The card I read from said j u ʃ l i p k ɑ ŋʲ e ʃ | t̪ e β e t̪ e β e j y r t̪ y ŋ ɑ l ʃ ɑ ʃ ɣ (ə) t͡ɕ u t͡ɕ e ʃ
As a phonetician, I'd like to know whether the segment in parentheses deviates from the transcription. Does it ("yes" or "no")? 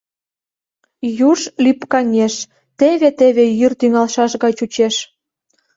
yes